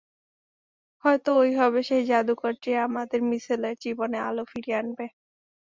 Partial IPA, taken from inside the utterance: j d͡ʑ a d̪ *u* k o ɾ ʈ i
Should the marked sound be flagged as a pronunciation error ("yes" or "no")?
no